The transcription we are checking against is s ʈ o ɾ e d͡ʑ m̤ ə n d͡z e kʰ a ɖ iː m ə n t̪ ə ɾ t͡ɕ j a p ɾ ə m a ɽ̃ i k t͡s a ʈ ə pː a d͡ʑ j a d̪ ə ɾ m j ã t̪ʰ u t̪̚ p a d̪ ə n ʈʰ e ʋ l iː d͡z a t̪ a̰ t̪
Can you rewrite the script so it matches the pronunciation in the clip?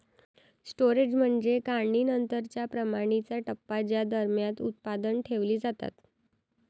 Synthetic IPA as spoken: s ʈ o ɾ e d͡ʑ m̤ ə ɳ d͡z e k a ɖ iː n ə n t̪ ə ɾ t͡ɕ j a p ɾ ə m a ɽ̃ i t͡s a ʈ ə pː a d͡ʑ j a d̪ ə ɾ m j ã t̪ u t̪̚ p a d̪ ə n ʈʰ e ʋ l iː d͡z a t̪ a̰ t̪